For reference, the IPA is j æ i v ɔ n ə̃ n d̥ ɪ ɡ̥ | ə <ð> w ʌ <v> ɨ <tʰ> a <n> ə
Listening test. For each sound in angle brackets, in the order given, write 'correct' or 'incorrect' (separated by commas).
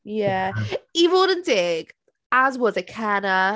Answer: incorrect, incorrect, incorrect, correct